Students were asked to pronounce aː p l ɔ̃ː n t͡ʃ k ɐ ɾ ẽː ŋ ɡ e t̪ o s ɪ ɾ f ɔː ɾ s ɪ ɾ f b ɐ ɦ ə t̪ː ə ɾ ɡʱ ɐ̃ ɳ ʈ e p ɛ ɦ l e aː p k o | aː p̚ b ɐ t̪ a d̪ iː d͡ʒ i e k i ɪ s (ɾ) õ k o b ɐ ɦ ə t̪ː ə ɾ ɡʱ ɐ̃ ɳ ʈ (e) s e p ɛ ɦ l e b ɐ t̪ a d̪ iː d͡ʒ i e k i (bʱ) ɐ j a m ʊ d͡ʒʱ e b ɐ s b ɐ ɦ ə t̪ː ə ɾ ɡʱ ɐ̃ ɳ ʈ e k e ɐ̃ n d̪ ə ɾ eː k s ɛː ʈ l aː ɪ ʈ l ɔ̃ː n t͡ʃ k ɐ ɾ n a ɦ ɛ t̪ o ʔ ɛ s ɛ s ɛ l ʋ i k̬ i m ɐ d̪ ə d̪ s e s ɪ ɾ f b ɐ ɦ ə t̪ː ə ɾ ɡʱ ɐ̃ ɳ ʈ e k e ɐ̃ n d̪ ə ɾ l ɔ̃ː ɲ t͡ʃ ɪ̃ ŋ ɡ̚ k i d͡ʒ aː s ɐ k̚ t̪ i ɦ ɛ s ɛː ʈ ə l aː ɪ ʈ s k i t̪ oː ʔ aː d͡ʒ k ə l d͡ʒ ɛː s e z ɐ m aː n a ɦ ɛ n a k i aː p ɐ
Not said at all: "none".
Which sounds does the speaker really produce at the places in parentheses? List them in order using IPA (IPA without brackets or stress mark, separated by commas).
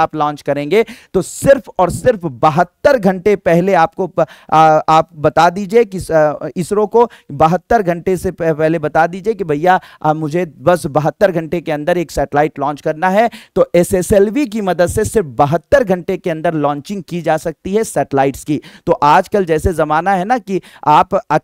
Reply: ɾ, e, bʱ